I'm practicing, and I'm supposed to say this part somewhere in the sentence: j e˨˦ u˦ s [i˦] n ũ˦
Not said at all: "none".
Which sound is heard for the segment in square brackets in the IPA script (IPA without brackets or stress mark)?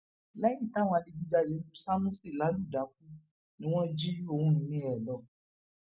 a˦